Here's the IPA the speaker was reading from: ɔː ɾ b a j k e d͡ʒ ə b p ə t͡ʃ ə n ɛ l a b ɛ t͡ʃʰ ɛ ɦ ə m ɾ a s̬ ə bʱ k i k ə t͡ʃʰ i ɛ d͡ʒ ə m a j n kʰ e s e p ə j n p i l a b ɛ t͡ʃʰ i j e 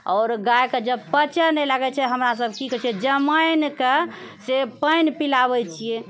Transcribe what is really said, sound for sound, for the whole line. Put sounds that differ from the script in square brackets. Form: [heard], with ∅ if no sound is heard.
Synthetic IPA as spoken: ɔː ɾ [ɡ] a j k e d͡ʒ ə b p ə t͡ʃ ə n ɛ l a [ɡ] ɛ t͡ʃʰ ɛ ɦ ə m ɾ a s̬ ə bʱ k i k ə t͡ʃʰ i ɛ d͡ʒ ə m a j n [k] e s e p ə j n p i l a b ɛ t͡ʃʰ i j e